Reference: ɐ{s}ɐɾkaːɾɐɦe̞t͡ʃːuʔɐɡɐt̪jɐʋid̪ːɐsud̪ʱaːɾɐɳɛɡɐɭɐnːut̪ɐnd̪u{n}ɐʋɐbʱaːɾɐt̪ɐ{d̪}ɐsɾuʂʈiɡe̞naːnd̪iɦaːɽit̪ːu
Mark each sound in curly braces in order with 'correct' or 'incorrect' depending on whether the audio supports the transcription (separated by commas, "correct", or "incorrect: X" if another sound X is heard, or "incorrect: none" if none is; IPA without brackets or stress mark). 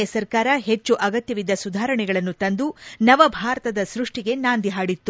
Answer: correct, correct, correct